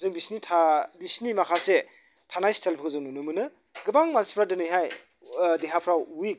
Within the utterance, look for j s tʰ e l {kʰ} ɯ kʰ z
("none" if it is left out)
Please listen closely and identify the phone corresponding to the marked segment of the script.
pʰ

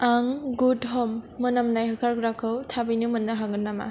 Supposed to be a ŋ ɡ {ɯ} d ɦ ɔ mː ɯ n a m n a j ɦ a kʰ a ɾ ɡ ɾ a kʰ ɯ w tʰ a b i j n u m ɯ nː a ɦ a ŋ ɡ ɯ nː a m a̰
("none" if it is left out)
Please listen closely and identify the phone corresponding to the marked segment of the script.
u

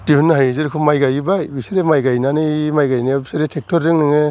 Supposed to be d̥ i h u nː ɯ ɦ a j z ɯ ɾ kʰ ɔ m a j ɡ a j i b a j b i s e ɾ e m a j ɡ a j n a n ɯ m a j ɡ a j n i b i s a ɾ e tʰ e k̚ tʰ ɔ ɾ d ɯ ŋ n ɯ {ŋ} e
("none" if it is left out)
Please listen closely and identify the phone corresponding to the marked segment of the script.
ŋ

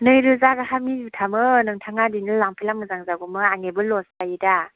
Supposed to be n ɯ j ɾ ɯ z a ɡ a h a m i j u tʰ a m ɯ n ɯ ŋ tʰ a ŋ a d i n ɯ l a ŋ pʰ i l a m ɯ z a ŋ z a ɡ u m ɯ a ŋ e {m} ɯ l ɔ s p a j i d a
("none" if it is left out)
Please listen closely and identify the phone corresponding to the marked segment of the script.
b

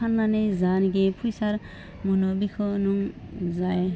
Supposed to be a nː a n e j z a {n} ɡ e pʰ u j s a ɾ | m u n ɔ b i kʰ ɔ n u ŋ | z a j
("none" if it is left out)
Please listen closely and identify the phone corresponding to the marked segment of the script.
n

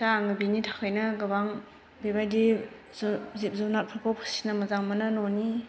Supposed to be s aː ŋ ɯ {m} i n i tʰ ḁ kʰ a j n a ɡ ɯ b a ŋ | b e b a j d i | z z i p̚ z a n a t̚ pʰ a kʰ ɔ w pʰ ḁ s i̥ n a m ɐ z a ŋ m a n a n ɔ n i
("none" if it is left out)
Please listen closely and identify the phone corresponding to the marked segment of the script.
b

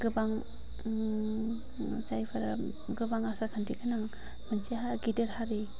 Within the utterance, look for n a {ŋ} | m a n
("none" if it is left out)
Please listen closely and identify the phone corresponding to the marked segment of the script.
ŋ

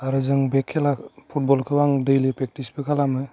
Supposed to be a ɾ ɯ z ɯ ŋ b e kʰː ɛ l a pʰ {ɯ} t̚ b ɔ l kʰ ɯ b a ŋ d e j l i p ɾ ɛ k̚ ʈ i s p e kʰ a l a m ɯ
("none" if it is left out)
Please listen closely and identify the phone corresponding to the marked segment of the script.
u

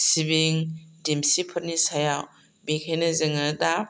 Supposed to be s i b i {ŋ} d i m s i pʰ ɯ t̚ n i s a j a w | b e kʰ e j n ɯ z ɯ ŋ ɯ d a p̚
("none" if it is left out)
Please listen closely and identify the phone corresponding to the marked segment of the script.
ŋ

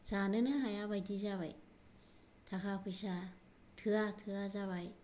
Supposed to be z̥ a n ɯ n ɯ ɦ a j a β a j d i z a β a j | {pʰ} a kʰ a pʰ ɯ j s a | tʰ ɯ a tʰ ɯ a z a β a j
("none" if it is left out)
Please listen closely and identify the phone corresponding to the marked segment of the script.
tʰ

